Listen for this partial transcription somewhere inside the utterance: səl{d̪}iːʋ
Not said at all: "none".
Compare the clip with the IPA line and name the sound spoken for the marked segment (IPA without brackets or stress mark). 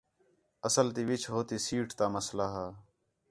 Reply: t̪